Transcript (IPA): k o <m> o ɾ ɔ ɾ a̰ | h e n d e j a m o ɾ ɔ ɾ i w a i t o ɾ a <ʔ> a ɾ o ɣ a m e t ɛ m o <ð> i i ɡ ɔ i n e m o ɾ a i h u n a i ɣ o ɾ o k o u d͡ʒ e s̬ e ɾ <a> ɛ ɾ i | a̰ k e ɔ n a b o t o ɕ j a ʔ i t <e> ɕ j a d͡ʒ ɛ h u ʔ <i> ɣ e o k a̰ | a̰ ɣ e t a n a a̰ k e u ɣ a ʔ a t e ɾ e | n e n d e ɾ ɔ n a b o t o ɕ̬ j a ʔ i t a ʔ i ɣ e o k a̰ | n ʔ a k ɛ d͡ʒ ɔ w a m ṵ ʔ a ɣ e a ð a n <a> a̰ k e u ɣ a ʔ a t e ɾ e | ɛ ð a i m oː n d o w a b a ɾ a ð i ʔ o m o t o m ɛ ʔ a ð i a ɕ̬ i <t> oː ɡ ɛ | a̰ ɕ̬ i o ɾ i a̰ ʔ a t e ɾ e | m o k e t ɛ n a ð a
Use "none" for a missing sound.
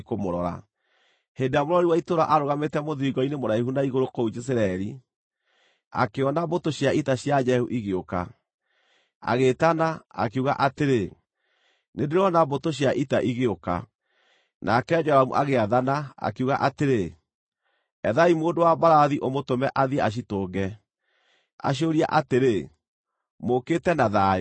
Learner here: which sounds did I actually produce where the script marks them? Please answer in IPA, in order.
m, ʔ, ð, a, a, i, a, t

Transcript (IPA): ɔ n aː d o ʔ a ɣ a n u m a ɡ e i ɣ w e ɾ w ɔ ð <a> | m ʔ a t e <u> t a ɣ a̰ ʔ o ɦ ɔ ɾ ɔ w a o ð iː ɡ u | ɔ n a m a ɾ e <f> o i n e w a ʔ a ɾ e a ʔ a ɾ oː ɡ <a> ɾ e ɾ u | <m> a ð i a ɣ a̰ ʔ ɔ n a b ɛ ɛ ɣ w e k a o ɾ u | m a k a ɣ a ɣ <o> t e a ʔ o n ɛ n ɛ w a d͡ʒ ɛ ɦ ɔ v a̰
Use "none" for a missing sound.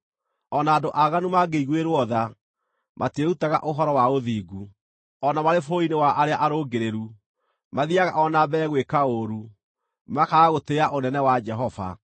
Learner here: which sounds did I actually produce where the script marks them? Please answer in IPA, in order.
a, u, f, e, m, o

